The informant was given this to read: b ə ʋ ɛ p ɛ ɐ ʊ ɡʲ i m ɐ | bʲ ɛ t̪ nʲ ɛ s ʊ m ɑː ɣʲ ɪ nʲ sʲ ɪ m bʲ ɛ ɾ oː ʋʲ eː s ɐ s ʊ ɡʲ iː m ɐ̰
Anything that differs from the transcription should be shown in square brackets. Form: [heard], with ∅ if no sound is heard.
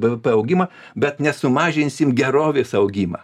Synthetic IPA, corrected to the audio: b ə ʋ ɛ p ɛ ɐ ʊ ɡʲ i m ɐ | bʲ ɛ t̪ nʲ ɛ s ʊ m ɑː [ʒʲ] ɪ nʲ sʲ ɪ m [ɡʲ] ɛ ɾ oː ʋʲ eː s ɐ [∅] ʊ ɡʲ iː m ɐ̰